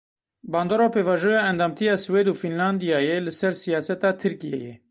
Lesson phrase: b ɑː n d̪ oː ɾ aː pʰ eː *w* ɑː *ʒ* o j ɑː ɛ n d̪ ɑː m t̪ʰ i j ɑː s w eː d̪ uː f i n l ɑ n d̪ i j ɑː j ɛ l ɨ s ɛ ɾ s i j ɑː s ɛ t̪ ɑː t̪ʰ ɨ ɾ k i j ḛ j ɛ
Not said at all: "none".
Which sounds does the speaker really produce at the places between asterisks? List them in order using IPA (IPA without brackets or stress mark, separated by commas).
v, ʒ